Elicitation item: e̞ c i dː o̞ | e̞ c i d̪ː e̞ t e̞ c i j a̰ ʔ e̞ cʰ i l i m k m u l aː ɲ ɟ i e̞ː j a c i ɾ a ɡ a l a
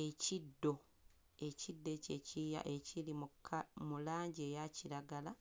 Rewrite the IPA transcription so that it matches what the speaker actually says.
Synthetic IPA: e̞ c i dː o̞ | e̞ c i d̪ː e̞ c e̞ c i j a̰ ʔ e̞ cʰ i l i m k m u l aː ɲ ɟ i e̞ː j a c i ɾ a ɡ a l a